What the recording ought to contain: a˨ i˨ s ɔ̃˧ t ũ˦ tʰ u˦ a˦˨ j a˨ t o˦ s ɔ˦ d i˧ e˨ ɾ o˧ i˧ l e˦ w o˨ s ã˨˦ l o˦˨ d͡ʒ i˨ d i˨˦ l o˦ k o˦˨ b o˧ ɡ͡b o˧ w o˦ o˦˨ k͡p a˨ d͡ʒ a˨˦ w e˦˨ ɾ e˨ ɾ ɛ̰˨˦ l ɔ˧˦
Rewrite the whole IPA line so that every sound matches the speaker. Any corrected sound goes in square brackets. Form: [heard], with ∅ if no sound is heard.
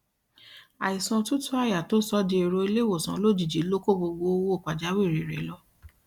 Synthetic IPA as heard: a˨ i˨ s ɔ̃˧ t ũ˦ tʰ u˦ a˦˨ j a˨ t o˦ s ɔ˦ d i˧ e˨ ɾ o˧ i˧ l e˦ w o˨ s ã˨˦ l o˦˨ d͡ʒ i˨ [d͡ʒ] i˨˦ l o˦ k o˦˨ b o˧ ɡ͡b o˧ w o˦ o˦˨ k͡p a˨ d͡ʒ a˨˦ w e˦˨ ɾ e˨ ɾ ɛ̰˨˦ l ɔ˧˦